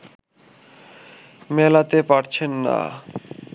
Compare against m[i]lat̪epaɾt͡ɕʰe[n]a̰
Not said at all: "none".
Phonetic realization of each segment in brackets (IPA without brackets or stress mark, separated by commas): ɛ, nː